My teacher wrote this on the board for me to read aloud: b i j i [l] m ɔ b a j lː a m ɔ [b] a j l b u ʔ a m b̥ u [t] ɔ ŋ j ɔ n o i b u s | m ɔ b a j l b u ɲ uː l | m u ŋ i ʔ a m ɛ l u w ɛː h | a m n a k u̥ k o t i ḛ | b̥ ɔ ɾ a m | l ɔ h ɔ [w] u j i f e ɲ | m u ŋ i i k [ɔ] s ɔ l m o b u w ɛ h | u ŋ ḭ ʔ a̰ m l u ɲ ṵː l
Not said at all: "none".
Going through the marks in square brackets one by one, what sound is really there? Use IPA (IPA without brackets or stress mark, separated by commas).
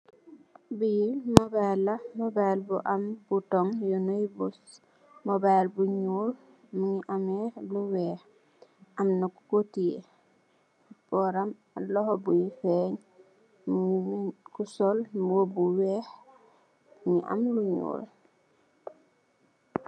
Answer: l, b, t, b, u